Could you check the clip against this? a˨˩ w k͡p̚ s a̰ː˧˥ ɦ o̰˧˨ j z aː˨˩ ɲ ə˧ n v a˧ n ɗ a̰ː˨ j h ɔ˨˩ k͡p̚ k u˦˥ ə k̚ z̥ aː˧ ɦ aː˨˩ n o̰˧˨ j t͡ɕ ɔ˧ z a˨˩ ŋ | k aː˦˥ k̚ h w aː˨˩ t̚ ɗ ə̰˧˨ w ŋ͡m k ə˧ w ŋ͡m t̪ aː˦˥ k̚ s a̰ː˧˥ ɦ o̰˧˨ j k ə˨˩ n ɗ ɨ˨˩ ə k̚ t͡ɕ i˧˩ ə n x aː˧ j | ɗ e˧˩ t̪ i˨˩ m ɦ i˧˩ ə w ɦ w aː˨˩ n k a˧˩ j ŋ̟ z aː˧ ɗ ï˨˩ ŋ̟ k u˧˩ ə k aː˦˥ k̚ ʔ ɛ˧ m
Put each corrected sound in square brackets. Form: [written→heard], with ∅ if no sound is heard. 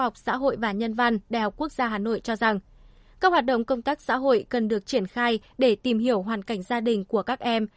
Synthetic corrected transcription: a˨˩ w k͡p̚ s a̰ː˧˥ ɦ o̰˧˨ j [z→v] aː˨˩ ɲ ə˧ n v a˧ n ɗ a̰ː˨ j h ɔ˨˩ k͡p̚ k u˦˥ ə k̚ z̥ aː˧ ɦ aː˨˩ n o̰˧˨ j t͡ɕ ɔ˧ z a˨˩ ŋ | k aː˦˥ k̚ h w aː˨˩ t̚ ɗ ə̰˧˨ w ŋ͡m k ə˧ w ŋ͡m t̪ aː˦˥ k̚ s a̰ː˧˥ ɦ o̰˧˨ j k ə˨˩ n ɗ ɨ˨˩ ə k̚ t͡ɕ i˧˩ ə n x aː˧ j | ɗ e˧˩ t̪ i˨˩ m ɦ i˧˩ ə w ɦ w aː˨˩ n k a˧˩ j ŋ̟ z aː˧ ɗ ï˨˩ ŋ̟ k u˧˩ ə k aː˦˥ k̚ ʔ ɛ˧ m